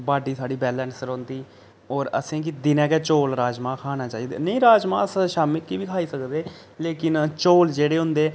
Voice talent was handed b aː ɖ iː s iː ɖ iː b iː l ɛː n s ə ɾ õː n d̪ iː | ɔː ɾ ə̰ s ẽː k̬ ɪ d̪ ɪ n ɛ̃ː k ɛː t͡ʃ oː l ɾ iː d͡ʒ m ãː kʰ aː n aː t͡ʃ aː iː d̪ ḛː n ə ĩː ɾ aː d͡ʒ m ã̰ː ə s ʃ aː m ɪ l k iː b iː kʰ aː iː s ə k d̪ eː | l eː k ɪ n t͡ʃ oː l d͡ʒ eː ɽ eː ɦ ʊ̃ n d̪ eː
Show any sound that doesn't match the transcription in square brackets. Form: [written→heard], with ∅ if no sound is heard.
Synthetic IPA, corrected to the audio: b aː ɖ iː s [iː→aː] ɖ iː b [iː→ɛː] l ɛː n s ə ɾ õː n d̪ iː | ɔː ɾ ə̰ s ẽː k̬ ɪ d̪ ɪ n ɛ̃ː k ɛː t͡ʃ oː l ɾ [iː→aː] d͡ʒ m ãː kʰ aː n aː t͡ʃ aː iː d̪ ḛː n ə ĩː ɾ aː d͡ʒ m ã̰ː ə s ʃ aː m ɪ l k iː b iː kʰ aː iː s ə k d̪ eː | l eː k ɪ n t͡ʃ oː l d͡ʒ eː ɽ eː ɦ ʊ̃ n d̪ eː